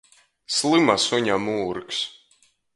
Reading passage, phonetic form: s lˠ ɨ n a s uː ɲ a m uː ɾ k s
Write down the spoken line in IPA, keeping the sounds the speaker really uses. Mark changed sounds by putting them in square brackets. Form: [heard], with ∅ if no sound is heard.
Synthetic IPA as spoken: s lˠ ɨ [m] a s [u] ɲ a m uː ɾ k s